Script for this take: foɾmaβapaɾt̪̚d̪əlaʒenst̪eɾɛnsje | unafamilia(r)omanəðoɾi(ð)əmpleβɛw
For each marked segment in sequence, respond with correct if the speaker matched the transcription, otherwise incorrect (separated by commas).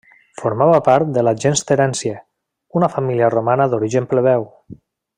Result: correct, incorrect